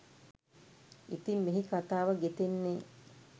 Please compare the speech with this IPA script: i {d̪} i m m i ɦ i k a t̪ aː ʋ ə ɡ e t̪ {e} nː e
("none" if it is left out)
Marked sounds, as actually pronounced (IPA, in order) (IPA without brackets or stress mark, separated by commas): t̪, e